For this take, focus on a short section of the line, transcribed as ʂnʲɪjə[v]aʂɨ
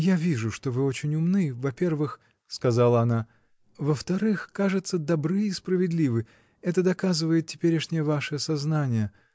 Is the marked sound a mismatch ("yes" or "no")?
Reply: no